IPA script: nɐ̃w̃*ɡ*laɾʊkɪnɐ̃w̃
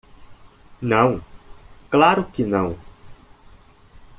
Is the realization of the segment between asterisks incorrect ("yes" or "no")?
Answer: yes